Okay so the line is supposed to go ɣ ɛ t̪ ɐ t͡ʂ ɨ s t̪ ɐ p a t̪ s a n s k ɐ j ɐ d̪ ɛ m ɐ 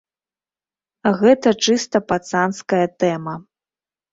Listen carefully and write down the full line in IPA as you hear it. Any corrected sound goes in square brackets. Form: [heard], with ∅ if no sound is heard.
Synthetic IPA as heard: ɣ ɛ t̪ ɐ t͡ʂ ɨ s t̪ ɐ p a t̪ s a n s k ɐ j ɐ [t̪] ɛ m ɐ